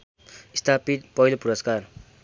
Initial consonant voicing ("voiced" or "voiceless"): voiceless